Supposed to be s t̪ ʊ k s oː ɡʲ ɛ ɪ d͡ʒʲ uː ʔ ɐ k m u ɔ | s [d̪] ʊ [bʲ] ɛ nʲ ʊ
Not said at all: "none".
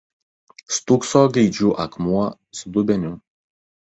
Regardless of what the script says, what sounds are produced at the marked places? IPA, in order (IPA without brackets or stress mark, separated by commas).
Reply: d̪, bʲ